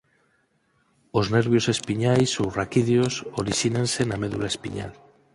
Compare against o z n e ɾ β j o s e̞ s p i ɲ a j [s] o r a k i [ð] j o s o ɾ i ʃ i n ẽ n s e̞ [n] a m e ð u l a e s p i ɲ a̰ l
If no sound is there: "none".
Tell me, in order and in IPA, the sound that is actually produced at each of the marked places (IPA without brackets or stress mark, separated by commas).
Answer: s, ð, n